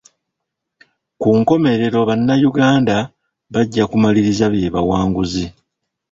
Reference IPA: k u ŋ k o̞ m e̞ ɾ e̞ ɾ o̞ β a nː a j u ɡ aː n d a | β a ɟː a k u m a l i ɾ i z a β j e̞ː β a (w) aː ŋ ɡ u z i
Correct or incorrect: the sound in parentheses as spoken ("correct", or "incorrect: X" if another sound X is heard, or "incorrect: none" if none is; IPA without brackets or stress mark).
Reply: correct